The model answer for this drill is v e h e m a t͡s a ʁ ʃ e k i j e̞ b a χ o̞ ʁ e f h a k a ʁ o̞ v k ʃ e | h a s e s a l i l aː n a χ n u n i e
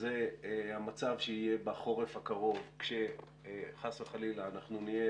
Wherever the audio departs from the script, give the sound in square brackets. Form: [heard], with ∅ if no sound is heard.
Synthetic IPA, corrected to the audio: [z] e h [a] m a t͡s a [v] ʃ e [∅] i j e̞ b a χ o̞ ʁ e f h a k a ʁ o̞ v k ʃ e | [χ] a s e [χ] a l i l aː n a χ n u n i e